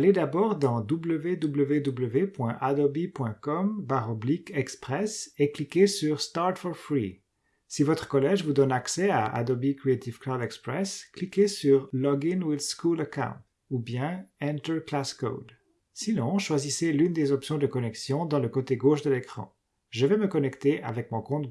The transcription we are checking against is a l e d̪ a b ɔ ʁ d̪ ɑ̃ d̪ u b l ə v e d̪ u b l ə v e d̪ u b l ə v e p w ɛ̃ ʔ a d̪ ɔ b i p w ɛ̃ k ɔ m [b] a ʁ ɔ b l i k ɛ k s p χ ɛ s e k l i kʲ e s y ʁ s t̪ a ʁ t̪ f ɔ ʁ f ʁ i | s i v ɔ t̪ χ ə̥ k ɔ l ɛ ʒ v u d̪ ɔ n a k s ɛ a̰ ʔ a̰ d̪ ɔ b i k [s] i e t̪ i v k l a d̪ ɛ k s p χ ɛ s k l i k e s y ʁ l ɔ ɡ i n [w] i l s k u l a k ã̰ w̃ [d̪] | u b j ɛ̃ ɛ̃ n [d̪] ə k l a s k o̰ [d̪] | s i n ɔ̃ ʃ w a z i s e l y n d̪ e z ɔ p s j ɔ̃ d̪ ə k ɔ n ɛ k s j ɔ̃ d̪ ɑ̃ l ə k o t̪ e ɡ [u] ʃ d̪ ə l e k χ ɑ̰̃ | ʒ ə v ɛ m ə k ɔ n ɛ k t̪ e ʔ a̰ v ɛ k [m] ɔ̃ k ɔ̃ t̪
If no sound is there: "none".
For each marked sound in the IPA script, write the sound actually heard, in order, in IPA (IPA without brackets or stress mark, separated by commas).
b, χ, w, t̪, t̪, d̪, o, m